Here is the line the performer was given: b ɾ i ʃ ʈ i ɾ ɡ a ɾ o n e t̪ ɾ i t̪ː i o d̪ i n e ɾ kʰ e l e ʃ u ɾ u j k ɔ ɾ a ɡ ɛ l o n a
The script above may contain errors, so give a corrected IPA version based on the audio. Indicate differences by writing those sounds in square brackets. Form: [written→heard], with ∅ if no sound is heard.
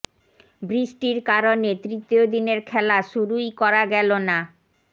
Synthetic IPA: b ɾ i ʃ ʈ i ɾ [ɡ→k] a ɾ o n e t̪ ɾ i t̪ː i o d̪ i n e ɾ kʰ [e→ɛ] l [e→a] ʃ u ɾ u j k ɔ ɾ a ɡ ɛ l o n a